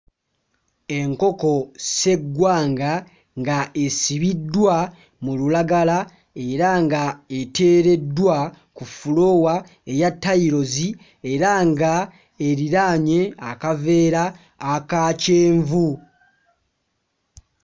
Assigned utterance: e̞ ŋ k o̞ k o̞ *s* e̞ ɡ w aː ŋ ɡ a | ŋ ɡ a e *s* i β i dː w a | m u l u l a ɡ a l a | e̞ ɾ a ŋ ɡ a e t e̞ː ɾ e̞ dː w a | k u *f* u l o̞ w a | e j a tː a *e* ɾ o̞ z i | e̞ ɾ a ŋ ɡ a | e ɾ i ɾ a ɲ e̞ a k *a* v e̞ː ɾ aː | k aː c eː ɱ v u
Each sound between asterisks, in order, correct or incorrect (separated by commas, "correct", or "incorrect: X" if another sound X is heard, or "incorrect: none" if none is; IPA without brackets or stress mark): correct, correct, correct, incorrect: i, correct